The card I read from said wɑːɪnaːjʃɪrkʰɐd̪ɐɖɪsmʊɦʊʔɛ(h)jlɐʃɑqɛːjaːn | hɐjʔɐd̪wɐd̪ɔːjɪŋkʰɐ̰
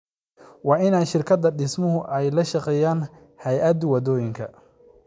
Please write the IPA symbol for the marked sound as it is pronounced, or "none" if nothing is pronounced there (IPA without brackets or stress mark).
none